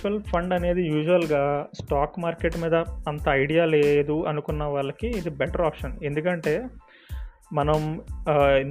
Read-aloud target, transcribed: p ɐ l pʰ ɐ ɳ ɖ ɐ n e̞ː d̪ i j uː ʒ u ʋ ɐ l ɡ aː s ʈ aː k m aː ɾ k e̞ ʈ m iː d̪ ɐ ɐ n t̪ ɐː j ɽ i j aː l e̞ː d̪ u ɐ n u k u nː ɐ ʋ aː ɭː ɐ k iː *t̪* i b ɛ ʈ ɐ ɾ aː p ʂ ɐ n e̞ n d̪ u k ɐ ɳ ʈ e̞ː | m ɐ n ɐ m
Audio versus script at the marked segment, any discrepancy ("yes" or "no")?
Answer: yes